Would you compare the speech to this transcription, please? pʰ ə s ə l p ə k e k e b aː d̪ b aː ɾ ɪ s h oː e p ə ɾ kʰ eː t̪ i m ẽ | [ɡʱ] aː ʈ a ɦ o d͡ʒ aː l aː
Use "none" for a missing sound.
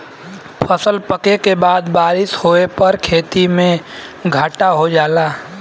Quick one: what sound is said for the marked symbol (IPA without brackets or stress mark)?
ɡʱ